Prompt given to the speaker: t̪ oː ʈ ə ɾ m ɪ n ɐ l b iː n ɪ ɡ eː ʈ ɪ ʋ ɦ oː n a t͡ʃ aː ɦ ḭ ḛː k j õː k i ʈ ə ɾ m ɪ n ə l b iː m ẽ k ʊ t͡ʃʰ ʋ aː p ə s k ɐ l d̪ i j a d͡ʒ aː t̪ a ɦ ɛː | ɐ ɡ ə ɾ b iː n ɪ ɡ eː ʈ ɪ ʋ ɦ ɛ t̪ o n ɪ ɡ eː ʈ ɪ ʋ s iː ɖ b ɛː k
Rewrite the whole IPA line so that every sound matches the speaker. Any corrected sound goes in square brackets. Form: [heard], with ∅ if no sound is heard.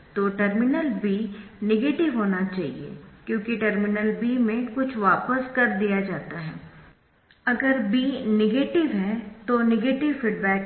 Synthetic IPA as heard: t̪ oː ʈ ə ɾ m ɪ n [ə] l b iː n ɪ ɡ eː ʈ ɪ ʋ ɦ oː n a t͡ʃ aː ɦ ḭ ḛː k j õː k i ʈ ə ɾ m ɪ n ə l b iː m ẽ k ʊ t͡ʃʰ ʋ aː p ə s k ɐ [ɾ] d̪ i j a d͡ʒ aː t̪ a ɦ ɛː | ɐ ɡ ə ɾ b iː n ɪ ɡ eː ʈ ɪ ʋ ɦ ɛ t̪ o n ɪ ɡ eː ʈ ɪ ʋ [f] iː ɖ b ɛː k